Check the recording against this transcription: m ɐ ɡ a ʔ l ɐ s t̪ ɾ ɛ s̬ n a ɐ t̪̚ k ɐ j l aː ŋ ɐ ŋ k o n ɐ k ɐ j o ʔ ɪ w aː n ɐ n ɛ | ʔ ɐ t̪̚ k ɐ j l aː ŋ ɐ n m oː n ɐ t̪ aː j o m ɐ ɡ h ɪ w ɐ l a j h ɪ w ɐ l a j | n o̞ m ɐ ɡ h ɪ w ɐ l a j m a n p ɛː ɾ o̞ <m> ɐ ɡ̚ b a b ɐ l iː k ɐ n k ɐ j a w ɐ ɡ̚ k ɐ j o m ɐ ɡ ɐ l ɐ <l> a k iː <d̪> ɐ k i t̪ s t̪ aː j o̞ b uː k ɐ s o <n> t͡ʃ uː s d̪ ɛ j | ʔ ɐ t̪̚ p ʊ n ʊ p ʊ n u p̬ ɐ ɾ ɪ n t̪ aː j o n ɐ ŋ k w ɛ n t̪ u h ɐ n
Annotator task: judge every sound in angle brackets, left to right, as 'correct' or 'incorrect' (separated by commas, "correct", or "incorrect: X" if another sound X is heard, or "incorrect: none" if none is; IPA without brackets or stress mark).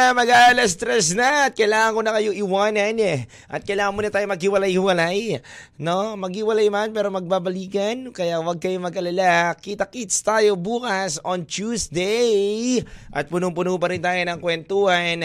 correct, correct, incorrect: t̪, correct